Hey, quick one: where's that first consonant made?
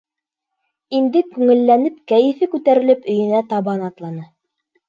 tongue tip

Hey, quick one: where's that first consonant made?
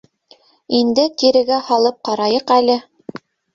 tongue tip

